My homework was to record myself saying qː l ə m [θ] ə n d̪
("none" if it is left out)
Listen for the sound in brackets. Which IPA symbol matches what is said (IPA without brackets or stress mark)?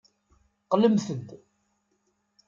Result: θ